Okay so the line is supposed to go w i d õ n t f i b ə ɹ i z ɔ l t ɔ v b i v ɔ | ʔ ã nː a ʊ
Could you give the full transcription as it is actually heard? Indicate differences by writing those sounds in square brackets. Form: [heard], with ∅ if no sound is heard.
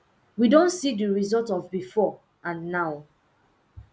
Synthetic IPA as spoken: w i d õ n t [s] i [d] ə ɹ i z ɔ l t ɔ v b i [f] ɔ | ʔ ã nː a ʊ